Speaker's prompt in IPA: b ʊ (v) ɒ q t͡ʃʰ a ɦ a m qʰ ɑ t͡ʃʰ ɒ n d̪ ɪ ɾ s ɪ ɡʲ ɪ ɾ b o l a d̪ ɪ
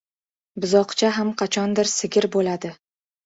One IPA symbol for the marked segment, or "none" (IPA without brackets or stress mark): z